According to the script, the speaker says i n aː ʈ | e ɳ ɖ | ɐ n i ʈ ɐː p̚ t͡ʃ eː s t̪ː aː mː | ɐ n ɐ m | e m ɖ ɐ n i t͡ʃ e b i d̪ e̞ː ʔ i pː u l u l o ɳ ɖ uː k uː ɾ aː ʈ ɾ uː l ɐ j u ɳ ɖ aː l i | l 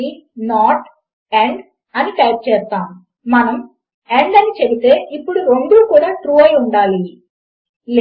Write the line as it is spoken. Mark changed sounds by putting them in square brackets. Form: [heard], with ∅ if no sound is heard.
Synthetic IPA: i n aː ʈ | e ɳ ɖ | ɐ n i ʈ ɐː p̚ t͡ʃ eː s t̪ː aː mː | ɐ n ɐ m | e [ɳ] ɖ ɐ n i t͡ʃ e b i [t̪] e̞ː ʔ i pː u [ɽ] u [ɾ] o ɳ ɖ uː k uː [ɽ] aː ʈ ɾ uː [∅] ɐ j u ɳ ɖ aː l i | l